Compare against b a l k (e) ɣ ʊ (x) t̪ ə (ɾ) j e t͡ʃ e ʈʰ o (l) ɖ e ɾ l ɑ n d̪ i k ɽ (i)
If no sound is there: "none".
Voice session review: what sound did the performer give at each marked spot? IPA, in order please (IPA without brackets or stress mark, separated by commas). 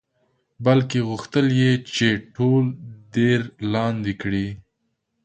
e, x, l, l, i